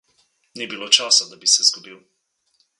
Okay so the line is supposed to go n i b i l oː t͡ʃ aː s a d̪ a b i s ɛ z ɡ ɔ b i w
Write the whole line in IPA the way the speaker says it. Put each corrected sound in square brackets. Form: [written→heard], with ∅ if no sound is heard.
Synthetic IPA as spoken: n i b i l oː t͡ʃ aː s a d̪ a b i s ɛ z ɡ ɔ b i w